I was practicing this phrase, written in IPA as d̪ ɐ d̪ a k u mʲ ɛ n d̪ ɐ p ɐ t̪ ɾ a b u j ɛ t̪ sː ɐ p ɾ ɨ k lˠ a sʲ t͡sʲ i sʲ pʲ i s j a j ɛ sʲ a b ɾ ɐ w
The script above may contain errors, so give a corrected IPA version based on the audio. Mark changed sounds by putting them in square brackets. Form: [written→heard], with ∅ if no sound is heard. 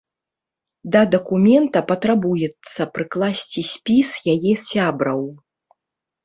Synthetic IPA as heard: d̪ ɐ d̪ [a→ɐ] k u mʲ ɛ n [d̪→t̪] ɐ p ɐ t̪ ɾ a b u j ɛ t̪ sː ɐ p ɾ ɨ k lˠ a sʲ t͡sʲ i sʲ pʲ i s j a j ɛ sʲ a b ɾ ɐ w